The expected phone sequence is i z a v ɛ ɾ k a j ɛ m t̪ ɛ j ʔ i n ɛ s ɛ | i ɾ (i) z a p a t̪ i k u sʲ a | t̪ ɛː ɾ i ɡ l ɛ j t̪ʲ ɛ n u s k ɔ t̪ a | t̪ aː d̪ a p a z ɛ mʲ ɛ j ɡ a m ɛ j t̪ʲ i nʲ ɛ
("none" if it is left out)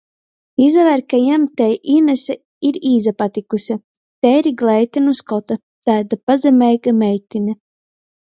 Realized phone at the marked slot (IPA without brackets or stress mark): iː